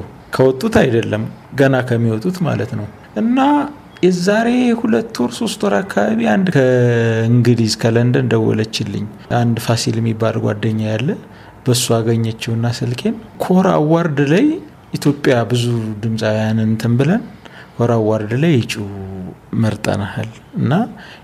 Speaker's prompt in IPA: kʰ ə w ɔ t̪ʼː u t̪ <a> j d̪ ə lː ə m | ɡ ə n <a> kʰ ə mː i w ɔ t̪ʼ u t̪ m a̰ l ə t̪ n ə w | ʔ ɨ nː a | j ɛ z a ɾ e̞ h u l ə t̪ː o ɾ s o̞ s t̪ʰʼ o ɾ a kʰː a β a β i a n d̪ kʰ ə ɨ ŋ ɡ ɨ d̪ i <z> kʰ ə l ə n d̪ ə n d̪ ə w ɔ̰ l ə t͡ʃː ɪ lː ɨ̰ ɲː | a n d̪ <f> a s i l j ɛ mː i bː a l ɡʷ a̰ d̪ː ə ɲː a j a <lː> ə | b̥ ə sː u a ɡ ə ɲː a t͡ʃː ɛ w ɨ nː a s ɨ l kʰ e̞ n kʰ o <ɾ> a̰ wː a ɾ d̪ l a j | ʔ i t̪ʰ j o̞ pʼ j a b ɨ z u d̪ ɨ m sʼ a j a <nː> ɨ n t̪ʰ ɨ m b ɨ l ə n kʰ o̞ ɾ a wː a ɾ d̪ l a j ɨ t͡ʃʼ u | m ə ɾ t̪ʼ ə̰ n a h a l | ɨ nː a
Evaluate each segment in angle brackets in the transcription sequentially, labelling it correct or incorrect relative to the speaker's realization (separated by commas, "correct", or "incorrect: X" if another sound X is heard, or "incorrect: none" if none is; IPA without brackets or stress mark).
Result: correct, correct, correct, correct, correct, correct, incorrect: n